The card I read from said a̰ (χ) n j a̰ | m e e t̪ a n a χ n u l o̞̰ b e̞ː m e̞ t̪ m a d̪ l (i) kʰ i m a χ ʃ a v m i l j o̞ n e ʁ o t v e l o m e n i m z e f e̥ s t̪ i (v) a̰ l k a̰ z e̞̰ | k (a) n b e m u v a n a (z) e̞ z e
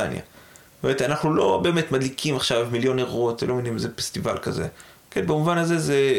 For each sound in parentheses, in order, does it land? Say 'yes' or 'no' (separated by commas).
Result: no, yes, yes, no, yes